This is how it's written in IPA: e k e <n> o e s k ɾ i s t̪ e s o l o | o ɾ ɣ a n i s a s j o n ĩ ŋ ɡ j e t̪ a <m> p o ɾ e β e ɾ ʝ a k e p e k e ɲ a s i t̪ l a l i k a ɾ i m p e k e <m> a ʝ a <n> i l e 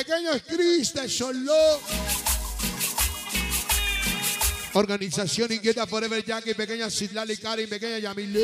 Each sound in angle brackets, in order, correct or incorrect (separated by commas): incorrect, incorrect, incorrect, incorrect